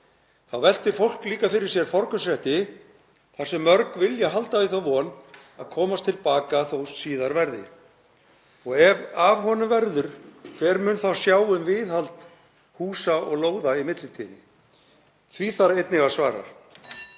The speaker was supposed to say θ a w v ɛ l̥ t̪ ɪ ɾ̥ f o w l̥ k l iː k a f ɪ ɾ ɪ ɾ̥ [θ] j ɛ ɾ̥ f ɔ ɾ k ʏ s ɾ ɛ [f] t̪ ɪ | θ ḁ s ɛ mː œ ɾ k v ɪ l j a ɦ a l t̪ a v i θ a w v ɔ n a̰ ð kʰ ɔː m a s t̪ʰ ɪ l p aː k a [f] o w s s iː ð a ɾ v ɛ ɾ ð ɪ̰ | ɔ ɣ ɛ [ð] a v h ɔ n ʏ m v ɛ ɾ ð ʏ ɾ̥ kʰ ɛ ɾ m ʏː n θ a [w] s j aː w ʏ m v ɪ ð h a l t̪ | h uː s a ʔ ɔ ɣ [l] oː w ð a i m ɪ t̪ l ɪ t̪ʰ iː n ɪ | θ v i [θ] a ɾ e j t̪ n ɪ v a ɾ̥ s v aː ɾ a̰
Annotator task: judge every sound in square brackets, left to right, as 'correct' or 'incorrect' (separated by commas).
incorrect, incorrect, incorrect, incorrect, correct, correct, correct